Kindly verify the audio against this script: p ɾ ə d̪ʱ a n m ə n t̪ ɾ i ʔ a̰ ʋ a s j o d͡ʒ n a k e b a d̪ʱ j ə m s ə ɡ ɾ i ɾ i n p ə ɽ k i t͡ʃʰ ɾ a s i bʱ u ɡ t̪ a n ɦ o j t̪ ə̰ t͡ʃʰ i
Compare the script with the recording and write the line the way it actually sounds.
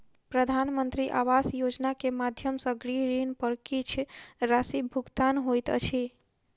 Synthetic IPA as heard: p ɾ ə d̪ʱ a n m ə n t̪ ɾ i ʔ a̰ ʋ a s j o d͡ʒ n a k e m a d̪ʱ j ə m s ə ɡ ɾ i ɾ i n p ə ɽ k i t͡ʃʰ ɾ a s i bʱ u ɡ t̪ a n ɦ o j t̪ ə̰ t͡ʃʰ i